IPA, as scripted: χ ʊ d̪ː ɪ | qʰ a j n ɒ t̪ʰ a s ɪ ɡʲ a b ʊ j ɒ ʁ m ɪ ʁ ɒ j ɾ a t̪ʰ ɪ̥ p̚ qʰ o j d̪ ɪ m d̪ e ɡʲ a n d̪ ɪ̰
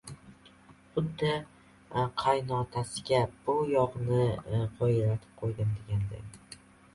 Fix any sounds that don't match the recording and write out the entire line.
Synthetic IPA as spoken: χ ʊ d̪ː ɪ | qʰ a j n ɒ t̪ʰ a s ɪ ɡʲ a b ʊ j ɒ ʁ n ɪ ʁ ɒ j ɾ a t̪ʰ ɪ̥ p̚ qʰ o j d̪ ɪ m d̪ e ɡʲ a n d̪ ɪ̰